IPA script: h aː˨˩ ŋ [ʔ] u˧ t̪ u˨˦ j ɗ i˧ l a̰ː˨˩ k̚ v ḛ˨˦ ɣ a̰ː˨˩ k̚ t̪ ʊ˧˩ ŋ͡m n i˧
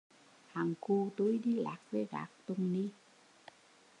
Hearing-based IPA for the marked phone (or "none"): k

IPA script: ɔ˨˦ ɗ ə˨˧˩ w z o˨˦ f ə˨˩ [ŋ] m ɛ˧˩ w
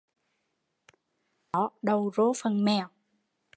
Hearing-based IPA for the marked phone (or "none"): n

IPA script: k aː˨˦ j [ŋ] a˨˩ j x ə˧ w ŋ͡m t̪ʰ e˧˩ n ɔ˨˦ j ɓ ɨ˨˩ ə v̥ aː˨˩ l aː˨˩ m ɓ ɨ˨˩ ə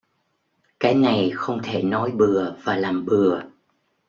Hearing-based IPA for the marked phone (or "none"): n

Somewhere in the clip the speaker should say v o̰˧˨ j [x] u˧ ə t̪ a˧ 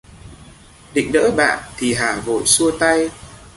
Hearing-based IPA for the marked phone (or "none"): s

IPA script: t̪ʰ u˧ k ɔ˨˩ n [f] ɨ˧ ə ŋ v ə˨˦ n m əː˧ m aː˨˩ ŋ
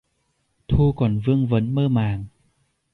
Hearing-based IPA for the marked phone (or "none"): v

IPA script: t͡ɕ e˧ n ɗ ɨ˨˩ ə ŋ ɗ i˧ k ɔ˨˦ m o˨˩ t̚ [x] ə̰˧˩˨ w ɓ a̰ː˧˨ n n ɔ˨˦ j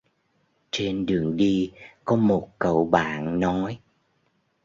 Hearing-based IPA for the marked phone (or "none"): k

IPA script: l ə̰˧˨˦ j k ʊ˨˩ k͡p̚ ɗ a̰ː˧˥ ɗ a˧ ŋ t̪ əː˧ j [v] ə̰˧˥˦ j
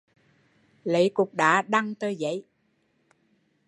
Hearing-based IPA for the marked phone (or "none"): z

